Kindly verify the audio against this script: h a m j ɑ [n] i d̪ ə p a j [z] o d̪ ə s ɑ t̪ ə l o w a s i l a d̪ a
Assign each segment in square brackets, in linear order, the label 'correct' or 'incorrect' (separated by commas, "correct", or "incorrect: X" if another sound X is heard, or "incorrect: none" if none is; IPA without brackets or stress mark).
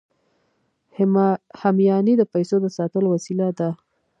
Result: correct, incorrect: s